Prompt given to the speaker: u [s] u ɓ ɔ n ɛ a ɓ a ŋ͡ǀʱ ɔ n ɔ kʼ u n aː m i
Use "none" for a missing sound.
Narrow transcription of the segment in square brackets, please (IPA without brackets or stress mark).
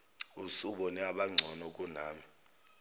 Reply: s